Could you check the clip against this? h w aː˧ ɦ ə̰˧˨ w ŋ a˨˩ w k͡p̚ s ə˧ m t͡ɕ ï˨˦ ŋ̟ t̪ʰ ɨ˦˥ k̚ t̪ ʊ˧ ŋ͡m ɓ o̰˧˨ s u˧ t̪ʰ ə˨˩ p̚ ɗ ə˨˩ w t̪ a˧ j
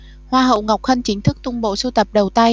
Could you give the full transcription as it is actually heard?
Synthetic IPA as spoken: h w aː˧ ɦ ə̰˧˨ w ŋ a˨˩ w k͡p̚ x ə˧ n t͡ɕ ï˨˦ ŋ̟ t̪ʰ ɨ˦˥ k̚ t̪ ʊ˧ ŋ͡m ɓ o̰˧˨ s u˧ t̪ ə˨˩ p̚ ɗ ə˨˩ w t̪ a˧ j